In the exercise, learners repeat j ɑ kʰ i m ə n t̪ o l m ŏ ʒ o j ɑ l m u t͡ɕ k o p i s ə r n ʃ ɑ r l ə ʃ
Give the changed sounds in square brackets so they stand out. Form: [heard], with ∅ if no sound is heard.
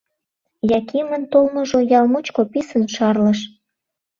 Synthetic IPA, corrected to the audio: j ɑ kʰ i m ə n t̪ o l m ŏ ʒ o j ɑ l m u t͡ɕ k o p i s ə [∅] n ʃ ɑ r l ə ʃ

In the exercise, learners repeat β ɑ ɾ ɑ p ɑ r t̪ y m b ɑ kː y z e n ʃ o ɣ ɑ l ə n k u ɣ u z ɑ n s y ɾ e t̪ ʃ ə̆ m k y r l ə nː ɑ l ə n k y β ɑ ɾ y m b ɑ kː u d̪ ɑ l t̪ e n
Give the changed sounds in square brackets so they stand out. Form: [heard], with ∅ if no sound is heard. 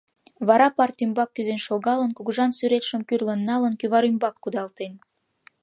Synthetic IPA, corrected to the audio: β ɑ ɾ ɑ p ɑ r t̪ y m b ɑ kː y z e n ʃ o ɣ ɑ l ə n k u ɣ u [ʒ] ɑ n s y ɾ e t̪ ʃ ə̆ m k y r l ə nː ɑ l ə n k y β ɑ ɾ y m b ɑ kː u d̪ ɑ l t̪ e n

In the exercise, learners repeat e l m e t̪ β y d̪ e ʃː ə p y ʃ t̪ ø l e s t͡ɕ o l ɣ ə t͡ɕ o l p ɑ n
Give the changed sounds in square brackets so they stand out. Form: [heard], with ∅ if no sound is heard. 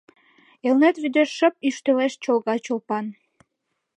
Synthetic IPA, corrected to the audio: e l [n] e t̪ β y d̪ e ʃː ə p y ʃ t̪ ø l e [ʃ] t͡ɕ o l ɣ [ɑ] t͡ɕ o l p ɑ n

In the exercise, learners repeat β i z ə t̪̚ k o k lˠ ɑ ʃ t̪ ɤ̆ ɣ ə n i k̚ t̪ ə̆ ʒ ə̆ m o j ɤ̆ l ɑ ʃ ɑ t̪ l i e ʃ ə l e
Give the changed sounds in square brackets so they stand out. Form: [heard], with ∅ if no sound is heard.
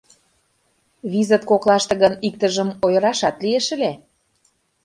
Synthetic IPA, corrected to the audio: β i z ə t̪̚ k o k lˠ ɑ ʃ t̪ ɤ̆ ɣ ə n i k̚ t̪ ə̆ ʒ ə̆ m o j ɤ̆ [ɾ] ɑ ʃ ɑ t̪ l i e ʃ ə l e

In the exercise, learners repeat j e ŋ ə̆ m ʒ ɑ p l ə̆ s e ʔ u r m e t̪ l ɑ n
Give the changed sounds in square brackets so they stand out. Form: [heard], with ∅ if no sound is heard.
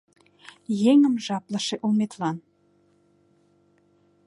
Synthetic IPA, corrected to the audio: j e ŋ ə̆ m ʒ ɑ p l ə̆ [ʃ] e ʔ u [l] m e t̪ l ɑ n

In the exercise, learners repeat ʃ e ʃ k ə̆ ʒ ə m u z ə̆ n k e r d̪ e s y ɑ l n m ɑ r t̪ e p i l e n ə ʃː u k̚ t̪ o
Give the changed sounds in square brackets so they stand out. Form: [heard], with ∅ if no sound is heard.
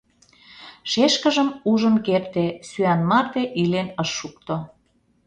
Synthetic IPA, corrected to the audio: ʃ e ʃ k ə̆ ʒ ə m u [ʒ] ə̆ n k e r [t̪] e s y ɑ [∅] n m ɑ r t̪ e [ʔ] i l e n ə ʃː u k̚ t̪ o

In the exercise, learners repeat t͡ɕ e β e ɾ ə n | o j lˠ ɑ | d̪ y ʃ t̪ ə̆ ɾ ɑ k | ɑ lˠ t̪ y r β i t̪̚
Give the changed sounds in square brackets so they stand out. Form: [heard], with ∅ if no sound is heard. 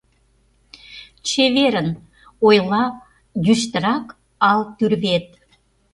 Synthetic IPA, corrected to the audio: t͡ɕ e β e ɾ ə n | o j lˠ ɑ | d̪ y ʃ t̪ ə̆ ɾ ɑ k | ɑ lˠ t̪ y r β [e] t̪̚

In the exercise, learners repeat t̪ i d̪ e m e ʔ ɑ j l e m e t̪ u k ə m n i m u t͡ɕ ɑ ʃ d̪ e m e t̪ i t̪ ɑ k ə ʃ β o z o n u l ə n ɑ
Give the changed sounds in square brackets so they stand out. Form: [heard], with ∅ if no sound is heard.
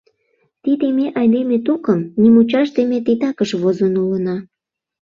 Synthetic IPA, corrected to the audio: t̪ i d̪ e m e ʔ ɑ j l e m e t̪ u k ə m n i m u t͡ɕ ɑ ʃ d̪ e m e t̪ i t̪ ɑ k ə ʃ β o z o n u l ə n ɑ

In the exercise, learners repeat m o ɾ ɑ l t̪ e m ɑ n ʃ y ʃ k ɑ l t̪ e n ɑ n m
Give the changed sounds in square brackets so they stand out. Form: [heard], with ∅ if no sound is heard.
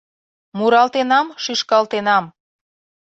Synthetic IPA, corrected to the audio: m [u] ɾ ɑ l t̪ e [n] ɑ [m] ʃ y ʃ k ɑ l t̪ e n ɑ [∅] m

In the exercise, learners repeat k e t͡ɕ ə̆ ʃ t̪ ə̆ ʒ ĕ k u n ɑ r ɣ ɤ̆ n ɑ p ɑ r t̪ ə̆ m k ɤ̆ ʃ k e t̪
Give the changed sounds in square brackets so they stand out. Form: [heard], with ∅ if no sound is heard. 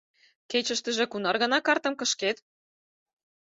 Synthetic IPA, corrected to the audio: k e t͡ɕ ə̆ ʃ t̪ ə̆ ʒ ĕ k u n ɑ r ɣ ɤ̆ n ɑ [k] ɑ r t̪ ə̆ m k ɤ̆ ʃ k e t̪

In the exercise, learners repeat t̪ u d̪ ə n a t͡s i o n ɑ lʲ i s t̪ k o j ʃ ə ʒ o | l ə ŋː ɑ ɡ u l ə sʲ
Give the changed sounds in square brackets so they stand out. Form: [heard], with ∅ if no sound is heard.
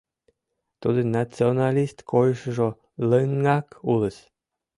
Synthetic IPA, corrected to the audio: t̪ u d̪ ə n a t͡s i o n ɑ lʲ i s t̪ k o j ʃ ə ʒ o | l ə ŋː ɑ [k] u l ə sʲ

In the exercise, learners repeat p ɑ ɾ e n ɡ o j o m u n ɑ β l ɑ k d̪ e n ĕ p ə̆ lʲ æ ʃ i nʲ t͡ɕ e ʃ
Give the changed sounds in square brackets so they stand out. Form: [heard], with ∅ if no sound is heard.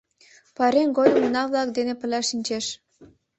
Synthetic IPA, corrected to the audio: p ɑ ɾ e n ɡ o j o m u n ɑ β l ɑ k d̪ e n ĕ p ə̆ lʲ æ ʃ i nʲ t͡ɕ e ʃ

